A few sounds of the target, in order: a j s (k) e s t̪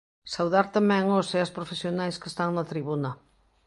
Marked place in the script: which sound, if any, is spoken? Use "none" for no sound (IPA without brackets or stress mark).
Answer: k